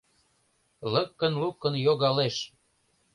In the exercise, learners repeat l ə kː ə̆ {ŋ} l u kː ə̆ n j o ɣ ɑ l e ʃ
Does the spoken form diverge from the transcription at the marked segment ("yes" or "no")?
yes